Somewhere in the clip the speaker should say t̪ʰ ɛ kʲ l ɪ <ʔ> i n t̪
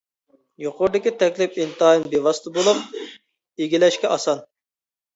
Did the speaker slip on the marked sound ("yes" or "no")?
yes